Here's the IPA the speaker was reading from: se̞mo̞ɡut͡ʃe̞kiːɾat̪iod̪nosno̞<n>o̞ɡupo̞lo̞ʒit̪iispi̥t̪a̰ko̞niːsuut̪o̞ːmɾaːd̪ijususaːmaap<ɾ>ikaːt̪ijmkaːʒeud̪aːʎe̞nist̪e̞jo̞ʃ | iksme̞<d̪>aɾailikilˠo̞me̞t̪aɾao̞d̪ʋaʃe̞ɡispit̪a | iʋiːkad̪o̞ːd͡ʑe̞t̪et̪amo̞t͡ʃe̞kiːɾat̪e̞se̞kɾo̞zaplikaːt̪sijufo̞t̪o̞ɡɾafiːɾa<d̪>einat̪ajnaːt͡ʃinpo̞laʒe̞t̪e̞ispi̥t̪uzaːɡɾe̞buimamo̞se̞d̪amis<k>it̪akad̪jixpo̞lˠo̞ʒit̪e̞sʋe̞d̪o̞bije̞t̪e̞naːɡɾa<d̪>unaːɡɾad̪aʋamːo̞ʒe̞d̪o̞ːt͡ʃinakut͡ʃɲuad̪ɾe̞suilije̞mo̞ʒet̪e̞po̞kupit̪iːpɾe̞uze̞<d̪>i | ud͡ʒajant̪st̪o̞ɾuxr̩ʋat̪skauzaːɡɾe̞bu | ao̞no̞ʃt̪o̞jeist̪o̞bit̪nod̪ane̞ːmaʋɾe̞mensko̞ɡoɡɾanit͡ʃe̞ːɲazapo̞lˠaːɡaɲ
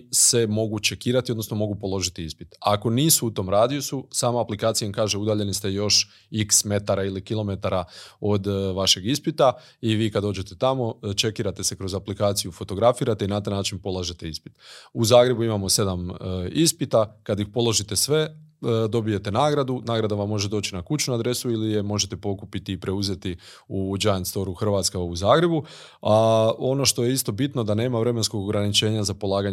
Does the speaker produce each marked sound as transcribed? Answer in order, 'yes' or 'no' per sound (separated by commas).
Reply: no, no, no, no, no, yes, no